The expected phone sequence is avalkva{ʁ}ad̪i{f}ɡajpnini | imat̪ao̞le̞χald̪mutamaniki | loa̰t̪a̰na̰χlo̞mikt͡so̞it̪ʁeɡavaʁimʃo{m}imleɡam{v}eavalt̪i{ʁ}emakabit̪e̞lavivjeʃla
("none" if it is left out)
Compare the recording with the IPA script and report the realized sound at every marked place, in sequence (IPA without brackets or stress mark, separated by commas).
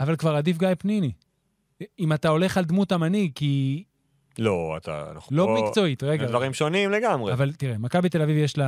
ʁ, f, n, ʁ, ʁ